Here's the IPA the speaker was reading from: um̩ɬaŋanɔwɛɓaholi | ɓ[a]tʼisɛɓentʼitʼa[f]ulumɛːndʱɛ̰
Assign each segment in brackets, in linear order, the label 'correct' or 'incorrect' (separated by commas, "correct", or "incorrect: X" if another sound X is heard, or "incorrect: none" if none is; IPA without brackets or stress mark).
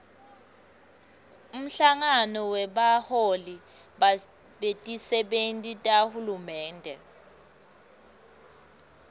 incorrect: e, incorrect: h